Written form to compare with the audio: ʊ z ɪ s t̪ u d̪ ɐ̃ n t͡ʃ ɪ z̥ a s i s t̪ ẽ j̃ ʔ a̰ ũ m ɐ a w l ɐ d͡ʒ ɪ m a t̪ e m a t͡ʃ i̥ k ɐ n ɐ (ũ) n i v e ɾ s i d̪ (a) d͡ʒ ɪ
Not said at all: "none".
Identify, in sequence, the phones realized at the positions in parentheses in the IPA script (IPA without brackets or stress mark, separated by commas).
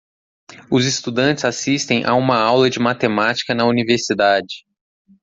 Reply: u, a